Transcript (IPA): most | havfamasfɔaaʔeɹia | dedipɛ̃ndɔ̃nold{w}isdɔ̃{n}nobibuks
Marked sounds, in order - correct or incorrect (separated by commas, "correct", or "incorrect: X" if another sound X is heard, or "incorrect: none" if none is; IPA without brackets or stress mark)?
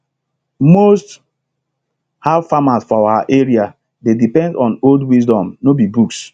correct, incorrect: m